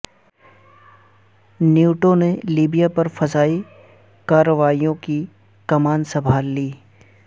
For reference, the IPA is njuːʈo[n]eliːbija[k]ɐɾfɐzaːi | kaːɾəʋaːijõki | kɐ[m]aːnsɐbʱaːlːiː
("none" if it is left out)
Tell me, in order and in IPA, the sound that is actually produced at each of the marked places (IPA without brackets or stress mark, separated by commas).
n, p, m